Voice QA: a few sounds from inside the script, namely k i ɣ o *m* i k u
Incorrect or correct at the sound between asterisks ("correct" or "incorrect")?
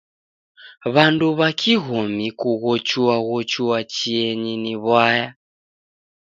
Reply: correct